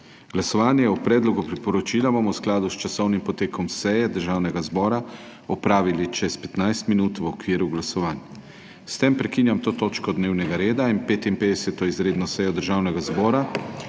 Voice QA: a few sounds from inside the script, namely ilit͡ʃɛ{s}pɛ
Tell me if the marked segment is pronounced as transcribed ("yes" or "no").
yes